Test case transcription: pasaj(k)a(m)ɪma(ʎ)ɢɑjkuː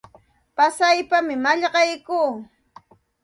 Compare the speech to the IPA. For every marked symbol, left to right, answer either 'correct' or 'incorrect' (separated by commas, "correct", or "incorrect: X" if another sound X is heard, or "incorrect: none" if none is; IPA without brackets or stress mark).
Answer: incorrect: p, correct, correct